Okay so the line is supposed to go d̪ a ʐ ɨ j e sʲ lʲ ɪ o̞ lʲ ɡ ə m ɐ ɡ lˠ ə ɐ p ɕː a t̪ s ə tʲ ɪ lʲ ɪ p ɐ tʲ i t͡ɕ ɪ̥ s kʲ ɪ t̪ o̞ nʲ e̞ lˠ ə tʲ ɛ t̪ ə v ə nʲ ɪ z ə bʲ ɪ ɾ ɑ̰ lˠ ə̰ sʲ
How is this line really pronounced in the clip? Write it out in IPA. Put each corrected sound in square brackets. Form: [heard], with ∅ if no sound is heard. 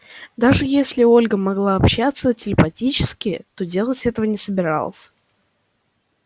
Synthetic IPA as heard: d̪ a ʐ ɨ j e sʲ lʲ ɪ o̞ lʲ ɡ ə m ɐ ɡ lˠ [a] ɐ p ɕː a t̪ s ə tʲ ɪ lʲ ɪ p ɐ tʲ i t͡ɕ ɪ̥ s kʲ ɪ t̪ o̞ [dʲ] e̞ lˠ ə tʲ ɛ t̪ ə v ə nʲ ɪ [s] ə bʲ ɪ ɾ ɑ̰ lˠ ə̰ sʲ